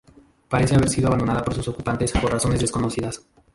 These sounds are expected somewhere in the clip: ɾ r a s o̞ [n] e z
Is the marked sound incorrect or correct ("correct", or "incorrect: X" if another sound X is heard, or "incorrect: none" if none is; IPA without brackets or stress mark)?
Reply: correct